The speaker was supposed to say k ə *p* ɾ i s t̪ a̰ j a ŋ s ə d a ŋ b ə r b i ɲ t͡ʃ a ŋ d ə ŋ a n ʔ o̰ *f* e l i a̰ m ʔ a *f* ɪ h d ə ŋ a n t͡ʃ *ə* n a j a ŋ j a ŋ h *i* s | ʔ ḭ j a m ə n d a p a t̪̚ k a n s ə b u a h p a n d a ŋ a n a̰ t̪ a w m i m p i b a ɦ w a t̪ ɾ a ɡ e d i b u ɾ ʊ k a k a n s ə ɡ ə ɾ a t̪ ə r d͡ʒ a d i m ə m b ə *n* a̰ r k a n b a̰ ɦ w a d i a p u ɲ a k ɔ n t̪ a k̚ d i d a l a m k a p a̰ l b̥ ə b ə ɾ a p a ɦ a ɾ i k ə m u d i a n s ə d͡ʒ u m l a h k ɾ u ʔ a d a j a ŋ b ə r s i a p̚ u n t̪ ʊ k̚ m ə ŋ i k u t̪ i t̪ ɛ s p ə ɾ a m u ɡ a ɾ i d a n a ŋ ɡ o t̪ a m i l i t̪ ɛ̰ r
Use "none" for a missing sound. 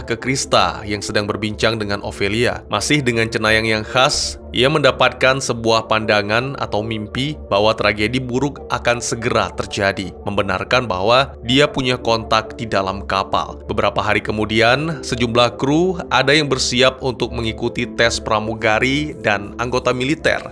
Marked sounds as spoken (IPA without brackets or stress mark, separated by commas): k, f, s, ə, a, n